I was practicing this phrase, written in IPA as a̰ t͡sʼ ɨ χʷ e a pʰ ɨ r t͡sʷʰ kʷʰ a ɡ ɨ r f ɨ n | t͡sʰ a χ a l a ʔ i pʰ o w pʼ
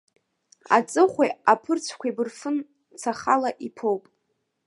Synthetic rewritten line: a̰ t͡sʼ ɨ χʷ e a pʰ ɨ r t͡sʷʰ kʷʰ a b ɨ r f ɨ n | t͡sʰ a χ a l a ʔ i pʰ o w pʼ